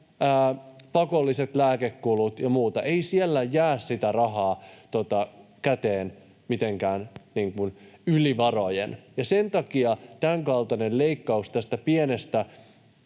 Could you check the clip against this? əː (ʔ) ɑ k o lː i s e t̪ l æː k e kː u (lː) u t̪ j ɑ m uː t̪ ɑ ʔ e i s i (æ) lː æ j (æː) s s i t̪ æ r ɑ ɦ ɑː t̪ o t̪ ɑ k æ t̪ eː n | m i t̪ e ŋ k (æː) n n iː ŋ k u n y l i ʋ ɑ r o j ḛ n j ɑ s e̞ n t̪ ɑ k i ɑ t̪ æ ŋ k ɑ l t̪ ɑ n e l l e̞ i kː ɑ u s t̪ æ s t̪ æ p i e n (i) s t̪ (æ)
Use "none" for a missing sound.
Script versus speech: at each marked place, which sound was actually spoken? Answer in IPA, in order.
p, l, e, æː, æː, e, æ

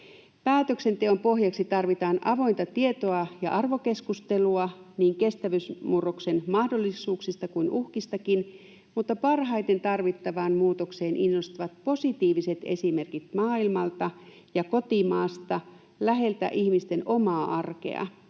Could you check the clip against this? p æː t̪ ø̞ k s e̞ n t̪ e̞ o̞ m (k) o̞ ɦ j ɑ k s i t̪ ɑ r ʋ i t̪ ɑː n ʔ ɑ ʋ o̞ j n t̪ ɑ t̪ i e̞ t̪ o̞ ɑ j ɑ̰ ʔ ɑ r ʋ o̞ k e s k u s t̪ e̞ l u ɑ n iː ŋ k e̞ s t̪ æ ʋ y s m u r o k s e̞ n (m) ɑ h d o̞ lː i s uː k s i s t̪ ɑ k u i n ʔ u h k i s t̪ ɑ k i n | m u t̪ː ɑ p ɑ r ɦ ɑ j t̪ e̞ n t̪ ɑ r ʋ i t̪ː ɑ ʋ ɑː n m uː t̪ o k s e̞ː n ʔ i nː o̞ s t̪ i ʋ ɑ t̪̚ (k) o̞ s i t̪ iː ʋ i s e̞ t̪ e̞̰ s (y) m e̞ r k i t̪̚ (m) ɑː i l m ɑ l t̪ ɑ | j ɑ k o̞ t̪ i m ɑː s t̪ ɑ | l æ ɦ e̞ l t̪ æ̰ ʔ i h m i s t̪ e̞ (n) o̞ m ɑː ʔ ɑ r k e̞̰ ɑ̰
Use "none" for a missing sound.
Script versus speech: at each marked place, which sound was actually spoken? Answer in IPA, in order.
p, m, p, i, m, n

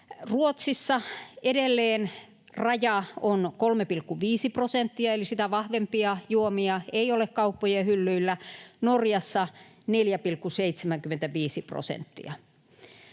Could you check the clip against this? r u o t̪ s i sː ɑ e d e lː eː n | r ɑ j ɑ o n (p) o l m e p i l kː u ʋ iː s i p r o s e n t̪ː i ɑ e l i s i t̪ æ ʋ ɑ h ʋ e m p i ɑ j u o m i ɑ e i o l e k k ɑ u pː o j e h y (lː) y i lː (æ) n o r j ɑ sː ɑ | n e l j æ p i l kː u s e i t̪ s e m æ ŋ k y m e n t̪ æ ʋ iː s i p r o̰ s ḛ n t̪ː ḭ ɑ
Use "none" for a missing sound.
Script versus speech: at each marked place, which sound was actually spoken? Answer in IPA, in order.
k, lː, æ

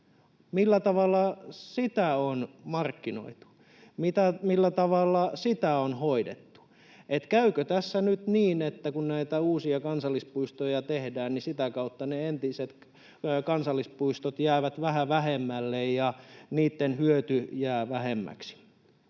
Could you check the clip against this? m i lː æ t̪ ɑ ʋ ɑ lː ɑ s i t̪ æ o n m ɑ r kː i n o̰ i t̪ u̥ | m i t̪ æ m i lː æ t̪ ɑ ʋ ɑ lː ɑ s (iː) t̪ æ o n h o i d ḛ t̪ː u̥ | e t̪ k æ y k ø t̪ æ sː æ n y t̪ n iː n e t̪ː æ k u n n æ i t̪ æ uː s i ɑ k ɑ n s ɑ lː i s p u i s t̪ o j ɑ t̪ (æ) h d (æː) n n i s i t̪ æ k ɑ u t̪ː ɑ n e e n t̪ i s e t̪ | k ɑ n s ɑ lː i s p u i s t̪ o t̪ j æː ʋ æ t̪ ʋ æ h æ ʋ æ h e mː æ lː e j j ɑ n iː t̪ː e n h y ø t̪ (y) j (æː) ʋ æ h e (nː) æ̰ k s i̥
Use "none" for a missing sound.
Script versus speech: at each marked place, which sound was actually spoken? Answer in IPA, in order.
i, e, æː, y, æː, mː

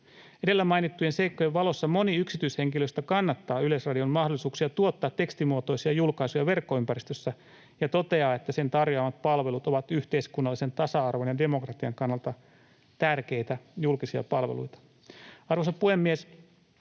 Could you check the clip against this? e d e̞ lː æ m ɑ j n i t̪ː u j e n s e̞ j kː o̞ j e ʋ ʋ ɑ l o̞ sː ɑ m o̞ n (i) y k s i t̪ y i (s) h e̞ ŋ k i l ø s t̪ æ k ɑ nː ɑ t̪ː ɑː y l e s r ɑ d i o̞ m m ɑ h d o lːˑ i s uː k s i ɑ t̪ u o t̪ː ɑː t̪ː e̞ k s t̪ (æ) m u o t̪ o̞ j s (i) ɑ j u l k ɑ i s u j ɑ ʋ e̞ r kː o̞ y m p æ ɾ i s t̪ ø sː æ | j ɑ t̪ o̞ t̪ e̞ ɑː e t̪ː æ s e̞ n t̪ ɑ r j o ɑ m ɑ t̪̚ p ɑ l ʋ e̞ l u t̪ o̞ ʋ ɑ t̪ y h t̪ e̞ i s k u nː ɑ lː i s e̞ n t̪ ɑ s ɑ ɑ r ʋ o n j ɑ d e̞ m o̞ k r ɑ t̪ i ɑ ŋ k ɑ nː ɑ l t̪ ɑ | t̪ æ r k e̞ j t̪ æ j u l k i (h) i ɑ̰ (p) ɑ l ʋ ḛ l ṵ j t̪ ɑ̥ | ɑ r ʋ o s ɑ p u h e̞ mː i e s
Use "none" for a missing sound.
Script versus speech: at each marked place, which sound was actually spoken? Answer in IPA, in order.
i, s, i, i, s, p

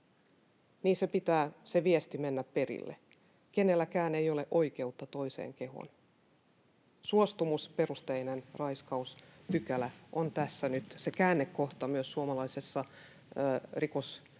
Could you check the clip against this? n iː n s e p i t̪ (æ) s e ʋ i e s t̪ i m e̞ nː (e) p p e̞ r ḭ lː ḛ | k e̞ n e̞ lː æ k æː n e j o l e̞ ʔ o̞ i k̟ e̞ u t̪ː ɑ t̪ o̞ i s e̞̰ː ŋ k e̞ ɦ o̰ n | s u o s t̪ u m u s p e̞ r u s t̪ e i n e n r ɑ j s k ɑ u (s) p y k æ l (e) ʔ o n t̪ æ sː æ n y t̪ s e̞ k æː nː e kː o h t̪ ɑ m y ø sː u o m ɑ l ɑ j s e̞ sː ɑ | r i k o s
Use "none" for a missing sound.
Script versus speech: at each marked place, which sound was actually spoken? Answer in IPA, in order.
æː, æ, s, æ

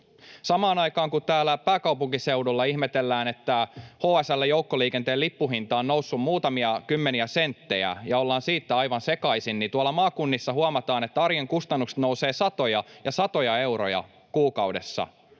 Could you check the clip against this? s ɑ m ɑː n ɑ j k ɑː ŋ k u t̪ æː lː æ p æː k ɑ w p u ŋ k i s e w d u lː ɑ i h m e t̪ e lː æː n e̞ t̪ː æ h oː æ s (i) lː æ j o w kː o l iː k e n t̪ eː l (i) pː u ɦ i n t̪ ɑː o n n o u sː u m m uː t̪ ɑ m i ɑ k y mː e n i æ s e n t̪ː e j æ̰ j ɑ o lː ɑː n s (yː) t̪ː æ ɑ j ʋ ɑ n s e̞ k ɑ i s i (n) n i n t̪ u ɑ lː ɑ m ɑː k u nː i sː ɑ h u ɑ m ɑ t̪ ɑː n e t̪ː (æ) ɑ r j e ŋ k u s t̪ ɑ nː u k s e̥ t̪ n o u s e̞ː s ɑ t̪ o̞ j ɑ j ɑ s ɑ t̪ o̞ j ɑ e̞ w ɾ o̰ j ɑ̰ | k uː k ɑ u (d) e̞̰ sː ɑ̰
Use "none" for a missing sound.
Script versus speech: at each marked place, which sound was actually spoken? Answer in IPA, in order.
æ, i, iː, n, æ, d

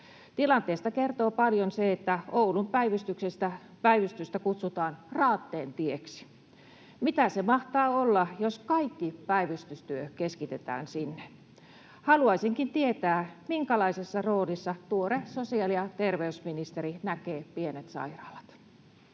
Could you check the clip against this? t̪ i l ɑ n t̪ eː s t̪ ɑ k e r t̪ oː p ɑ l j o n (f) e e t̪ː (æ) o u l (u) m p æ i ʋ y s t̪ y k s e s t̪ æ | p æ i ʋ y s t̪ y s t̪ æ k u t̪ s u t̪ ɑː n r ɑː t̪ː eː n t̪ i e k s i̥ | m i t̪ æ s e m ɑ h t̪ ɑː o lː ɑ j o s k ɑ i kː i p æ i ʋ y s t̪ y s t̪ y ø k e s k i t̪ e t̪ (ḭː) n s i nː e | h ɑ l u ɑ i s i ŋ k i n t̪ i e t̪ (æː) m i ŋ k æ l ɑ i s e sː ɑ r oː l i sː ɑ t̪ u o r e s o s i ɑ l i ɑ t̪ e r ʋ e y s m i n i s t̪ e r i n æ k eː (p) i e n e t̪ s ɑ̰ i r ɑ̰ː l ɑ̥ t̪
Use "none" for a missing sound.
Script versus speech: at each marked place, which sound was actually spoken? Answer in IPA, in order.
s, æ, u, æ̰ː, æː, p

